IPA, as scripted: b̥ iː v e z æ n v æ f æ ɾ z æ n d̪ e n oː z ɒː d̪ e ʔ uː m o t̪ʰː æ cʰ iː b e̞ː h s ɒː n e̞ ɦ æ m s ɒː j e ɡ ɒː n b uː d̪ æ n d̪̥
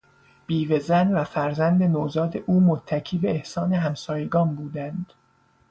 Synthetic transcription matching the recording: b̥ iː v e z æ n v æ f æ ɾ z æ n d̪ e n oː z ɒː d̪ e ʔ uː m o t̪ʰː æ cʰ iː b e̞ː h s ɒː n e̞ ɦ æ m s ɒː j e ɡ ɒː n b uː d̪ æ n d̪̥